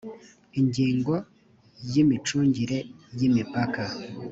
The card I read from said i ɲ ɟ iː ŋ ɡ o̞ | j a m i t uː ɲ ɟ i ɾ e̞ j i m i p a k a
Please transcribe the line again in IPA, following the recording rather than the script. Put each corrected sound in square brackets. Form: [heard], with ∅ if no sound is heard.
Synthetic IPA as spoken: i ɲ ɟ iː ŋ ɡ o̞ | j [i] m i [t͡ʃ] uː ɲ ɟ i ɾ e̞ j i m i p a k a